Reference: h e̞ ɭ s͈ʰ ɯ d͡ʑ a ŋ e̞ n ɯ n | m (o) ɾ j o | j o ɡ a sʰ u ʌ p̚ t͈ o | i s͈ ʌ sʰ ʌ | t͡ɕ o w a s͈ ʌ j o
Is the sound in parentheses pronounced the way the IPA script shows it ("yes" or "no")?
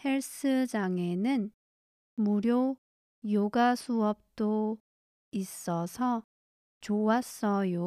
no